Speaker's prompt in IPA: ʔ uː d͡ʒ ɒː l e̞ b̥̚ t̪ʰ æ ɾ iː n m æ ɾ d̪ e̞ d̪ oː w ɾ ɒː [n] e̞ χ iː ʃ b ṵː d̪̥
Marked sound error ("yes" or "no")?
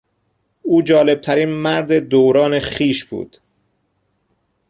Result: no